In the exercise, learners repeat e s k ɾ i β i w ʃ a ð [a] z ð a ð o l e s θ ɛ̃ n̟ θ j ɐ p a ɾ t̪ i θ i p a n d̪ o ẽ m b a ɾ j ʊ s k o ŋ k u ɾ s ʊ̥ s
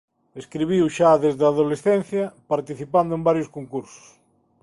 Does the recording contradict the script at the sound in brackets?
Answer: yes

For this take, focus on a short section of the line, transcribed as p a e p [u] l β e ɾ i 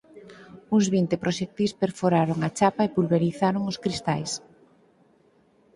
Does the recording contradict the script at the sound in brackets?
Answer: no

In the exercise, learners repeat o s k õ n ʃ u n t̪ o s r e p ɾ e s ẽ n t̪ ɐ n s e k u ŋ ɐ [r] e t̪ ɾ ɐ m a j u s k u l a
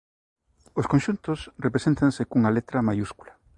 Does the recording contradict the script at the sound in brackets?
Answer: yes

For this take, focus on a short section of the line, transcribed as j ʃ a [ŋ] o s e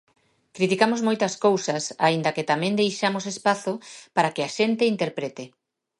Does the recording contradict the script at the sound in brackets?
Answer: yes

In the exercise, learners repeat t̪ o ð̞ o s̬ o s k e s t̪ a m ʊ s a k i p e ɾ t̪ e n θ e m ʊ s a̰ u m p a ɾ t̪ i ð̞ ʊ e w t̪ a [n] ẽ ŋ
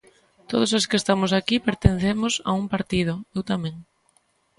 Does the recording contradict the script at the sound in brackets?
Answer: yes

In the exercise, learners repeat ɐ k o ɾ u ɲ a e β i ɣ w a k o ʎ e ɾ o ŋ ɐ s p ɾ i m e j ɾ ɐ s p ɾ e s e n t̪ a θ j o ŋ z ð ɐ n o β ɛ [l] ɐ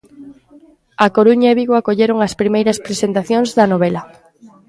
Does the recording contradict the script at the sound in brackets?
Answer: no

